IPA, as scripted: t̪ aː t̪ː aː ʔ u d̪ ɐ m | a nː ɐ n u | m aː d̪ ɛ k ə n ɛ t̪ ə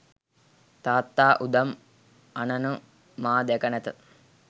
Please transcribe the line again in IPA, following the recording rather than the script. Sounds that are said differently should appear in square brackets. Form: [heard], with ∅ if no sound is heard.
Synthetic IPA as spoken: t̪ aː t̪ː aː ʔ u d̪ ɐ m | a [n] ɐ n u | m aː d̪ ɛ k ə n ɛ t̪ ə

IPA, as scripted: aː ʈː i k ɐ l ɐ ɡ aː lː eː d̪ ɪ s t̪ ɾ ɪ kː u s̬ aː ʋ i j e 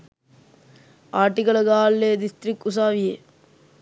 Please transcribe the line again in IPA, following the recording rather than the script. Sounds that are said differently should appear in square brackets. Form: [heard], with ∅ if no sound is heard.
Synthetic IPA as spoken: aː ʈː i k ɐ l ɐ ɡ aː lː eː d̪ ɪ s t̪ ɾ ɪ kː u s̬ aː ʋ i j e

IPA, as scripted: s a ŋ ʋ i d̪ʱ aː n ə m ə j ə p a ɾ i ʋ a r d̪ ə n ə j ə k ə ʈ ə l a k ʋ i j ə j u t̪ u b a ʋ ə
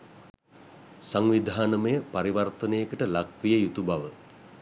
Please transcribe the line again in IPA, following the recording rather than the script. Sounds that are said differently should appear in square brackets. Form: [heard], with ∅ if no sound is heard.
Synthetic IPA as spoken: s a ŋ ʋ i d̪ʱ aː n ə m ə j ə p a ɾ i ʋ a r [t̪] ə n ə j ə k ə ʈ ə l a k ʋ i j ə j u t̪ u b a ʋ ə

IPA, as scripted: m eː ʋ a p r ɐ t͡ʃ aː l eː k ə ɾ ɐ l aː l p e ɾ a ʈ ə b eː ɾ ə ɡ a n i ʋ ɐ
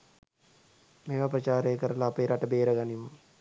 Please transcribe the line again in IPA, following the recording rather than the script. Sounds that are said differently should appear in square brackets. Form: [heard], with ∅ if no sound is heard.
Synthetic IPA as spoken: m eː ʋ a p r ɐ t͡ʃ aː [ɾ] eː k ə ɾ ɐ l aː [∅] p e ɾ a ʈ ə b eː ɾ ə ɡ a n i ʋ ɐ

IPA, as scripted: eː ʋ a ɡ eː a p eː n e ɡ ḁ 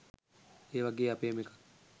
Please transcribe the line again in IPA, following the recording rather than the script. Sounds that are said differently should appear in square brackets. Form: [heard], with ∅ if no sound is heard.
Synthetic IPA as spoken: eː ʋ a ɡ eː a p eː [m] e [k] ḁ

